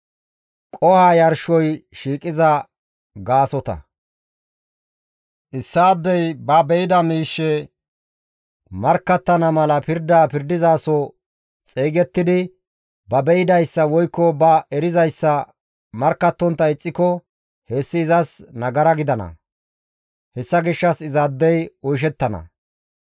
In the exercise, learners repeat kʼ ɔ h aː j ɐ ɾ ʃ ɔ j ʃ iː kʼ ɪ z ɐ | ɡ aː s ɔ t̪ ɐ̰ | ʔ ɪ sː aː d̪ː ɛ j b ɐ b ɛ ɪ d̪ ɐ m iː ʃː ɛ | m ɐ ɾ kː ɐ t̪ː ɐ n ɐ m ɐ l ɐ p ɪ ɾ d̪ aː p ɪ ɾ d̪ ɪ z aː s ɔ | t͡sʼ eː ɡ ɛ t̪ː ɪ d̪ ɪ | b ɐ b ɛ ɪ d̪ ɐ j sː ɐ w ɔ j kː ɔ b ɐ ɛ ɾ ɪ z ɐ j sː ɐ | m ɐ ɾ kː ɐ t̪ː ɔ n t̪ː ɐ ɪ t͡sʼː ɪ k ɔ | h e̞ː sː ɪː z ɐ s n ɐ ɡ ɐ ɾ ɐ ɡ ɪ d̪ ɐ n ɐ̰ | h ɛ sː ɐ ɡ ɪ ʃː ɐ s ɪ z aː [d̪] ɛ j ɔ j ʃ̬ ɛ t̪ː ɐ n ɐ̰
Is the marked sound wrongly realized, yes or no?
yes